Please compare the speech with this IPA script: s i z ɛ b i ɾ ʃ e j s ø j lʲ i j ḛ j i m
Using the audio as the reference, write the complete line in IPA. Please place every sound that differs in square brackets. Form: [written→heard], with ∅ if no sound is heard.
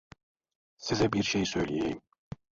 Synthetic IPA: s i z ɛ b i ɾ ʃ e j s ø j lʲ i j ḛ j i m